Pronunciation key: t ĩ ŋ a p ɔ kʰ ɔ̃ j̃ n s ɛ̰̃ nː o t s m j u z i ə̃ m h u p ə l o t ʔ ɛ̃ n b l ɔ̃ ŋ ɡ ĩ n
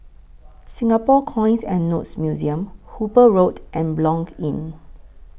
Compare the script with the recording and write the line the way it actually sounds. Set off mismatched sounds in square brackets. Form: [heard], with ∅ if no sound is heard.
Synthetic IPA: [s] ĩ ŋ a p ɔ kʰ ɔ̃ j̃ n s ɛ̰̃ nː o t s m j u z i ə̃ m h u p ə [ɹ] o t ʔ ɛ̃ n b l ɔ̃ ŋ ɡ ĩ n